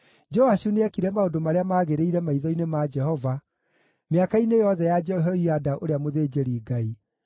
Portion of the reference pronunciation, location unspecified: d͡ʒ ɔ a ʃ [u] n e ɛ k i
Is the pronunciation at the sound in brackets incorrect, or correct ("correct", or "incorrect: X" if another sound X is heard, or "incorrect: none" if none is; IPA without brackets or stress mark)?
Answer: correct